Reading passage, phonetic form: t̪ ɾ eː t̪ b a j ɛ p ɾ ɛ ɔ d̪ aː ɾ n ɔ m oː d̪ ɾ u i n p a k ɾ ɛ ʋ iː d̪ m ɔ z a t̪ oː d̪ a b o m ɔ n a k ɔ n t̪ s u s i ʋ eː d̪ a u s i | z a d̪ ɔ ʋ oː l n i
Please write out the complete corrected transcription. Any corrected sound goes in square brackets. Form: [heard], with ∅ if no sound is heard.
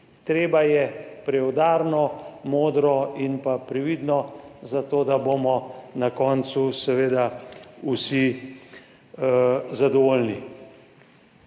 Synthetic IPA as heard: t̪ ɾ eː [∅] b a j ɛ p ɾ ɛ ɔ d̪ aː ɾ n ɔ m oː d̪ ɾ [ɔ] i n p a [p] ɾ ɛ ʋ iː d̪ [n] ɔ z a t̪ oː d̪ a b o m ɔ n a k ɔ n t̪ s u s [ɛ] ʋ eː d̪ a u s i | z a d̪ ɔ ʋ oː l n i